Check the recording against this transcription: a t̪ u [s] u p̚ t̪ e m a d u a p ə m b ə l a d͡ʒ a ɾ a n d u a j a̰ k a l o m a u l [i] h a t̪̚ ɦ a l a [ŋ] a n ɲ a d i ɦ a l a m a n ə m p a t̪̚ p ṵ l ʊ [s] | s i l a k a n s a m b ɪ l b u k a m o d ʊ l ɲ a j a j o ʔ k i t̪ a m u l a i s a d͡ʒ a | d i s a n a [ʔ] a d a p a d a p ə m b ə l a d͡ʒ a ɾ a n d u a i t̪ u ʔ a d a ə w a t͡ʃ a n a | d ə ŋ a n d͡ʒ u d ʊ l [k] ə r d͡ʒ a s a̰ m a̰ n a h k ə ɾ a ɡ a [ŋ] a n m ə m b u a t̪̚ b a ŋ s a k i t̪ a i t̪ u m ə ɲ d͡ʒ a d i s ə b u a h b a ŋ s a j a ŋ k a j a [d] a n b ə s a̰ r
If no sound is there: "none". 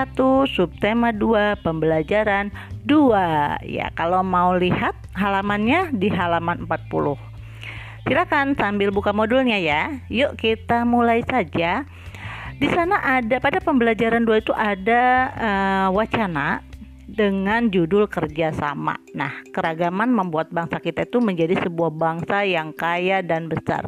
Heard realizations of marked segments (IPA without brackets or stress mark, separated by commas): s, i, m, h, ʔ, k, m, d